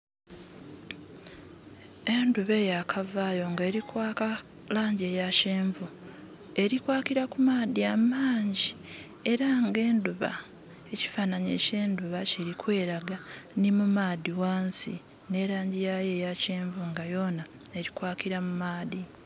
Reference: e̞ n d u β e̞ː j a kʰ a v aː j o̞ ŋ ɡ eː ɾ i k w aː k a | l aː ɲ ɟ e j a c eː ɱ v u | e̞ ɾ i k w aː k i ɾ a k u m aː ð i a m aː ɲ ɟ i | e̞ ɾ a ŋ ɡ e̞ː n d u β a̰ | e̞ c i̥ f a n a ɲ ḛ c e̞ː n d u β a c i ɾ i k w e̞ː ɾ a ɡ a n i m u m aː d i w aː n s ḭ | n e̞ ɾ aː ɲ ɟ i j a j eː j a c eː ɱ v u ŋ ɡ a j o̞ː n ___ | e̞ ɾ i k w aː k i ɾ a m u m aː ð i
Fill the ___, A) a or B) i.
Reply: A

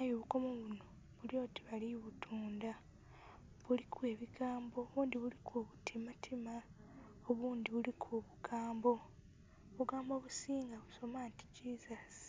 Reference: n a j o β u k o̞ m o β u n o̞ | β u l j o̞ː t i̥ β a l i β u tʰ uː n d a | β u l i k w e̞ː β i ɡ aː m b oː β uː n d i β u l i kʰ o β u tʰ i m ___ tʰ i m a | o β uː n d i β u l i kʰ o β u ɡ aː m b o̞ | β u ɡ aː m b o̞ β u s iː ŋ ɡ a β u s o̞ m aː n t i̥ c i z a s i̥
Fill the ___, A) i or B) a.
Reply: B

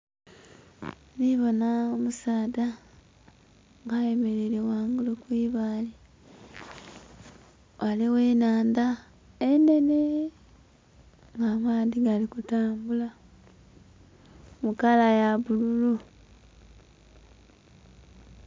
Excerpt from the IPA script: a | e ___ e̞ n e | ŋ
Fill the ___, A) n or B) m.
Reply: A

